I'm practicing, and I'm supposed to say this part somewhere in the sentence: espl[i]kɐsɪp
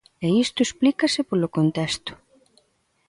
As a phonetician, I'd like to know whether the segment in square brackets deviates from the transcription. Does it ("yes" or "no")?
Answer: no